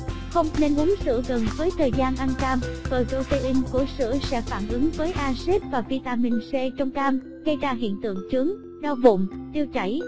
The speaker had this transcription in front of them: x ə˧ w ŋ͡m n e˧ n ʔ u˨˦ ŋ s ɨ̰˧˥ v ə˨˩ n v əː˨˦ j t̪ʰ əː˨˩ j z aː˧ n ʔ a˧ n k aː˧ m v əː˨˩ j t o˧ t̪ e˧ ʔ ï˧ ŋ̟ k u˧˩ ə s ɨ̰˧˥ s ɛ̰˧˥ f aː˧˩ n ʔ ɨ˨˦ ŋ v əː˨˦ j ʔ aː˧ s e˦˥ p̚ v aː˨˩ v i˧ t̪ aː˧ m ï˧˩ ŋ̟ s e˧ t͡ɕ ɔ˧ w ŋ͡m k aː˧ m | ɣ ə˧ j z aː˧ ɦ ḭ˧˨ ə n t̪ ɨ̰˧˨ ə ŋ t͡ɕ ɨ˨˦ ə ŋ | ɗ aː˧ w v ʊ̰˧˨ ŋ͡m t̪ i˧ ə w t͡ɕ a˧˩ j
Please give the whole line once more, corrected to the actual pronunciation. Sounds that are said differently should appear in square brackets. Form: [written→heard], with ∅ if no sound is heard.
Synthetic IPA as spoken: x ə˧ w ŋ͡m n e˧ n ʔ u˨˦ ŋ s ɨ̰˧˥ [v→ɣ] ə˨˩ n v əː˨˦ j t̪ʰ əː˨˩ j z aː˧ n ʔ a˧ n k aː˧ m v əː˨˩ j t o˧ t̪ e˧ ʔ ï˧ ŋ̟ k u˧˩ ə s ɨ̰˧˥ s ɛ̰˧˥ f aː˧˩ n ʔ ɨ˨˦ ŋ v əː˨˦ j ʔ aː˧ s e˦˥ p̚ v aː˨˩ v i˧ t̪ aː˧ m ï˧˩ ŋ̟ s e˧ t͡ɕ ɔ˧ w ŋ͡m k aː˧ m | ɣ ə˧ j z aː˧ ɦ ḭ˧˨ ə n t̪ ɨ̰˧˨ ə ŋ t͡ɕ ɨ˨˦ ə ŋ | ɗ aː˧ w v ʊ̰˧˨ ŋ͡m t̪ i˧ ə w t͡ɕ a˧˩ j